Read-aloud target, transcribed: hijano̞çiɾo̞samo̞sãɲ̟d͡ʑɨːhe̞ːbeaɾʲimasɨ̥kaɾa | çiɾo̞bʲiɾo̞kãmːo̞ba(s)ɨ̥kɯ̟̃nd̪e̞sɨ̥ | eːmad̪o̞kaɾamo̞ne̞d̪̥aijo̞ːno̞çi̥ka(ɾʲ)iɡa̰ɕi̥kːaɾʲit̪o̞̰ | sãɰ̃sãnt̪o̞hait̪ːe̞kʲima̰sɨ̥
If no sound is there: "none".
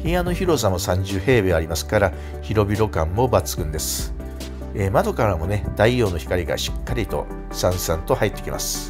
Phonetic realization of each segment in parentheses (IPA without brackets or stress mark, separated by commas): t͡s, ɾʲ